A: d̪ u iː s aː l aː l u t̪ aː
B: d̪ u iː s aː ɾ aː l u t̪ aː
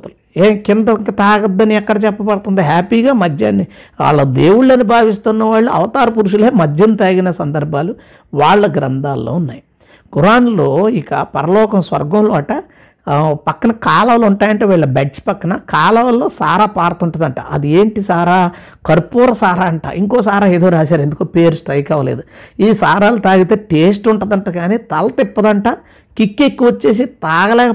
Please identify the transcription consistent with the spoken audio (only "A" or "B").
B